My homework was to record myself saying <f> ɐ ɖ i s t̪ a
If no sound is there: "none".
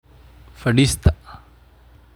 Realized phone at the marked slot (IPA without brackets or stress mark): f